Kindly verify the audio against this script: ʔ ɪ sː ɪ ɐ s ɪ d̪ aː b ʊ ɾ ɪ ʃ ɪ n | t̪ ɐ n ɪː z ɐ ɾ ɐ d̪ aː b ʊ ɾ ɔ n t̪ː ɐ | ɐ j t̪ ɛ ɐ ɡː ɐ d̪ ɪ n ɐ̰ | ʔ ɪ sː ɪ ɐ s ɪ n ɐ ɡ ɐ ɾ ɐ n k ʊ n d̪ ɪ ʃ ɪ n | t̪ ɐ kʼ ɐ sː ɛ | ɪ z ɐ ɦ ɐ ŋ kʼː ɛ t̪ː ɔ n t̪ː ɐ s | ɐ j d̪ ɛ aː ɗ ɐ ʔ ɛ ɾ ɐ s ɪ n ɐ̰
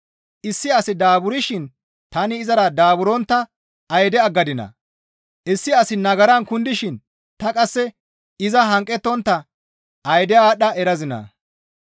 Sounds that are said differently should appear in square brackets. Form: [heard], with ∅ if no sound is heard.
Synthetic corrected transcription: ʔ ɪ sː ɪ ɐ s ɪ d̪ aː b ʊ ɾ ɪ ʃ ɪ n | t̪ ɐ n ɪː z ɐ ɾ ɐ d̪ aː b ʊ ɾ ɔ n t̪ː ɐ | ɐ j [d̪] ɛ ɐ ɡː ɐ d̪ ɪ n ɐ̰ | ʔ ɪ sː ɪ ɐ s ɪ n ɐ ɡ ɐ ɾ ɐ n k ʊ n d̪ ɪ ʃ ɪ n | t̪ ɐ kʼ ɐ sː ɛ | ɪ z ɐ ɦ ɐ ŋ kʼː ɛ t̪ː ɔ n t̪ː ɐ [∅] | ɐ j d̪ ɛ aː ɗ ɐ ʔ ɛ ɾ ɐ [z] ɪ n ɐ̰